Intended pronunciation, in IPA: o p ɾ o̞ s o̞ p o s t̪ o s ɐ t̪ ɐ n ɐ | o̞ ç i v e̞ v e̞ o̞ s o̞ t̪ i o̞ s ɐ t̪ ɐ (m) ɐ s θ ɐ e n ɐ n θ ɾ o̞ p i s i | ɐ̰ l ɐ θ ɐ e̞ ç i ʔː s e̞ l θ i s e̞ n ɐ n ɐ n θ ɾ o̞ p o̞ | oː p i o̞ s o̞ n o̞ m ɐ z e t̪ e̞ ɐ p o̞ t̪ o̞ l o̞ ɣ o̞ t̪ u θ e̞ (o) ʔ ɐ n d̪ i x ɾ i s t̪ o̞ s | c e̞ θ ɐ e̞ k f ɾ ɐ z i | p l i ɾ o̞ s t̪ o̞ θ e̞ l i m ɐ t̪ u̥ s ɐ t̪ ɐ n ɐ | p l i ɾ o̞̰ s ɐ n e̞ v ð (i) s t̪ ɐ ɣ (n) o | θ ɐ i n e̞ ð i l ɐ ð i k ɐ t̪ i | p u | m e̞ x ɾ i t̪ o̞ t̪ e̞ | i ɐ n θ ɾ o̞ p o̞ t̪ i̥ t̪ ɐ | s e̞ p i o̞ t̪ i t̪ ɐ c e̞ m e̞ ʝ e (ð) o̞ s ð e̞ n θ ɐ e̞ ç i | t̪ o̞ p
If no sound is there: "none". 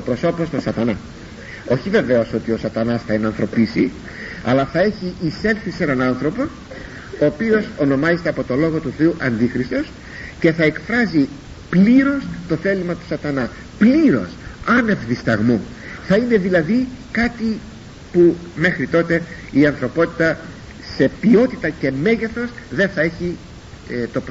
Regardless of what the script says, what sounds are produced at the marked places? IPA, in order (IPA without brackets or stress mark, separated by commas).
n, u, i, m, θ